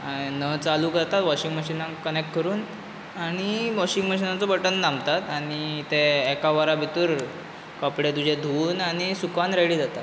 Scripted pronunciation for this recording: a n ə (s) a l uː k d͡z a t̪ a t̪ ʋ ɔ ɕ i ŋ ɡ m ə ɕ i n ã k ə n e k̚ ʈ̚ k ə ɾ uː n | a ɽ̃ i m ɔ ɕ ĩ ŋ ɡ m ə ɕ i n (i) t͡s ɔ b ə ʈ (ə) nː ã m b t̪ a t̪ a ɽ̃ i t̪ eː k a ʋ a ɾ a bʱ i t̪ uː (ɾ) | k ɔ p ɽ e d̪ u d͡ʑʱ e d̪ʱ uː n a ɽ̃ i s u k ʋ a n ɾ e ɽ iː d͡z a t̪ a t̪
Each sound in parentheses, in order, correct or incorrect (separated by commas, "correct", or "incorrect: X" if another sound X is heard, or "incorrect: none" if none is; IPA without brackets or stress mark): incorrect: t͡s, incorrect: a, correct, correct